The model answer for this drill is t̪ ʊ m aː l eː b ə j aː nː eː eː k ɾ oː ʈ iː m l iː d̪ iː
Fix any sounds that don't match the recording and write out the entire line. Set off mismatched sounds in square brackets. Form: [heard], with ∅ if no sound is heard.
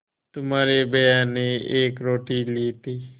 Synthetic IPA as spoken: t̪ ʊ m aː [ɾ] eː b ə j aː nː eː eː k ɾ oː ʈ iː [∅] l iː [t̪] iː